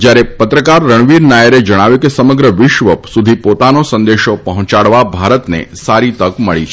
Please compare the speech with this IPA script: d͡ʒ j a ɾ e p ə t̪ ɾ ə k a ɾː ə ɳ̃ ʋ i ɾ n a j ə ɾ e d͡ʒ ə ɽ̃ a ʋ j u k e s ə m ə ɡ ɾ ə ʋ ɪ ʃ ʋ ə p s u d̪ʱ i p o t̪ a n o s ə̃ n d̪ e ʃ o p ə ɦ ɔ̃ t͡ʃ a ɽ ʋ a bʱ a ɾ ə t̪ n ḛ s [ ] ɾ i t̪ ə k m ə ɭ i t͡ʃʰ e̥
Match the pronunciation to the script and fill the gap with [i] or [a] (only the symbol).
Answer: a